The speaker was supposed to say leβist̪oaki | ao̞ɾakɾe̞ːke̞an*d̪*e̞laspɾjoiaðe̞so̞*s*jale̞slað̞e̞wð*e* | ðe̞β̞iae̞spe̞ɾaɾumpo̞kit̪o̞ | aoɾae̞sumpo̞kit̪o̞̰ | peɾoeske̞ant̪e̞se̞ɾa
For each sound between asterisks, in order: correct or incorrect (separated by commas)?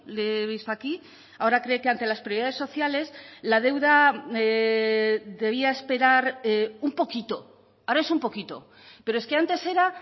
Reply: incorrect, incorrect, incorrect